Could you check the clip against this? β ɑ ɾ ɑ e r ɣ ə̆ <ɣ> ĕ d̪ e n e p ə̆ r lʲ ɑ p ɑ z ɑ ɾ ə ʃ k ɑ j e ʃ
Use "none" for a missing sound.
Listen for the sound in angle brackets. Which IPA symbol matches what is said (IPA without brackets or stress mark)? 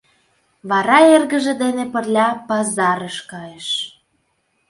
ʒ